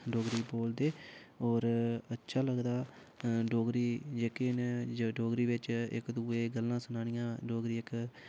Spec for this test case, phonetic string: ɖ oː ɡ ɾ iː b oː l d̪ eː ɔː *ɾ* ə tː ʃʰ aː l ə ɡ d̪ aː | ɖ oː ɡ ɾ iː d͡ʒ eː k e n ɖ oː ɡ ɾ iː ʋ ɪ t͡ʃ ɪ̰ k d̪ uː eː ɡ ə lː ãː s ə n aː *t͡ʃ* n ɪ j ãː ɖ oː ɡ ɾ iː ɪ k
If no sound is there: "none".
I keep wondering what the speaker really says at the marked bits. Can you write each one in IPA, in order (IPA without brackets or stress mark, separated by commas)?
ɾ, none